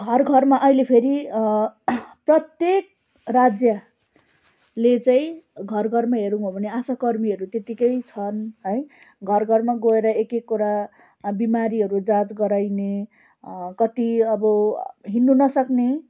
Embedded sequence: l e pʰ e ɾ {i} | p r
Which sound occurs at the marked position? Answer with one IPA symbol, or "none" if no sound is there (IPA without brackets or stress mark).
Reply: i